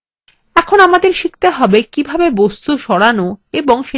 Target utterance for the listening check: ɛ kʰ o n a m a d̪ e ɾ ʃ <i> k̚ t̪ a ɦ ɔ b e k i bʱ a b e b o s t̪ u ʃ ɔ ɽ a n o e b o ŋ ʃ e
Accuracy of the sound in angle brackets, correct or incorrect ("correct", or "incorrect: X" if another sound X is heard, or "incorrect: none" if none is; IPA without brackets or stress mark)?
correct